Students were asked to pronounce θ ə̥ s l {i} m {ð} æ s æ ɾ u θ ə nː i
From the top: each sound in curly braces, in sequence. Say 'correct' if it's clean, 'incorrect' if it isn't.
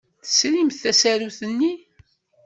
correct, incorrect

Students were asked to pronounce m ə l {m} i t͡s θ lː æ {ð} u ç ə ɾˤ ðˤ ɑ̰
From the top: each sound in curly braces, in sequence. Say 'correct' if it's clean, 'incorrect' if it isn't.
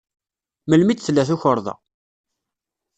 correct, incorrect

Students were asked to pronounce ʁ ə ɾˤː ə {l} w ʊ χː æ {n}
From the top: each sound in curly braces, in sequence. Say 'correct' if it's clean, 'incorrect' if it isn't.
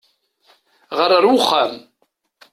incorrect, incorrect

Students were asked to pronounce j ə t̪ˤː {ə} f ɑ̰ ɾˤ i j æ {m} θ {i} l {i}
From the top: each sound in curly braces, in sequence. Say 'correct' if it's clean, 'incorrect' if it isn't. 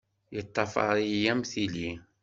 incorrect, correct, correct, correct

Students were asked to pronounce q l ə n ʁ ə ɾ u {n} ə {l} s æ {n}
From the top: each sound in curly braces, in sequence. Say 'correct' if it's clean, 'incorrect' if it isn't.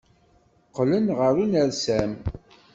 correct, incorrect, incorrect

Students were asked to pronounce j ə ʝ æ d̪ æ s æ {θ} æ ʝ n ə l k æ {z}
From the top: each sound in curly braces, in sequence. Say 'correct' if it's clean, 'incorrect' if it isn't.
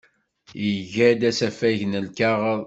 incorrect, incorrect

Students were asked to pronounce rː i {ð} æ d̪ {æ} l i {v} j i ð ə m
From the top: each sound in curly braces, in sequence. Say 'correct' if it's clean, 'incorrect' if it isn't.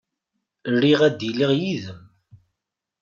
incorrect, incorrect, incorrect

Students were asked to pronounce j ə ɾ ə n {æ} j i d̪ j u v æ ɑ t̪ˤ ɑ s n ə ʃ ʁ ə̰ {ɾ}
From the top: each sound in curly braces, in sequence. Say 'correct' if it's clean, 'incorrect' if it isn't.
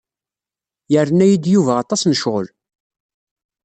correct, incorrect

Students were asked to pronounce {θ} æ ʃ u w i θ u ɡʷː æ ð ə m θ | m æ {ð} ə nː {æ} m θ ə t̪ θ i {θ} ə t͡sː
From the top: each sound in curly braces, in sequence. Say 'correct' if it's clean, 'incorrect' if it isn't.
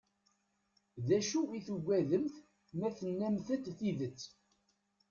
incorrect, incorrect, correct, incorrect

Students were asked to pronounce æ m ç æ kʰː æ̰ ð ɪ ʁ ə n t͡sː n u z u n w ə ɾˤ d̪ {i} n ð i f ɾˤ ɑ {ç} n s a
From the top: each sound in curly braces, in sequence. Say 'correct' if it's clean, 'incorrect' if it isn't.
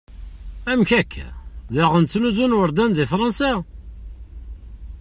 incorrect, incorrect

